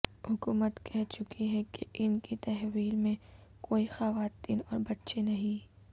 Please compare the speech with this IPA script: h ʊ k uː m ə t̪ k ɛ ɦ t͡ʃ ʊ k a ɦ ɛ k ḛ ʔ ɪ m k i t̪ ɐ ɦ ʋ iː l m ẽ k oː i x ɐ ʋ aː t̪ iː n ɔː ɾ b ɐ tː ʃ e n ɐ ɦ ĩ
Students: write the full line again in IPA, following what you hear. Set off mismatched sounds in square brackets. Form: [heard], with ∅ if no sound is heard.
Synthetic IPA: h ʊ k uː m ə t̪ k ɛ ɦ t͡ʃ ʊ k [i] ɦ ɛ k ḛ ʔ ɪ [n] k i t̪ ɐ ɦ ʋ iː l m ẽ k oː i x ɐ ʋ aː t̪ iː n ɔː ɾ b ɐ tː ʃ e n ɐ ɦ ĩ